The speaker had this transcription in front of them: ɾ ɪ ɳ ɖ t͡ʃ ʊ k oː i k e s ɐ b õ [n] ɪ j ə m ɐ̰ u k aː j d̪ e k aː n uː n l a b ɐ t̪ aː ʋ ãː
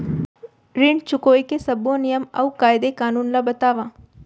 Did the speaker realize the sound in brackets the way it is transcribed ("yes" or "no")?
yes